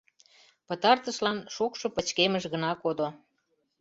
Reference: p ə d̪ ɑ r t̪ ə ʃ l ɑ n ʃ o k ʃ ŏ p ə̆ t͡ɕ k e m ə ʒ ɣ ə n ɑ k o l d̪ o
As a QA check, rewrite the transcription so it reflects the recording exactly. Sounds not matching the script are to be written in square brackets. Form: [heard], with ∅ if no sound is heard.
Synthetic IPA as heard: p ə [t̪] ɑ r t̪ ə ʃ l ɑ n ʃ o k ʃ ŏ p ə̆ t͡ɕ k e m ə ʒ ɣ ə n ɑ k o [∅] d̪ o